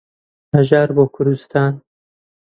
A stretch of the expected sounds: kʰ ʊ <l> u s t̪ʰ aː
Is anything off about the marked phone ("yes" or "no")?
yes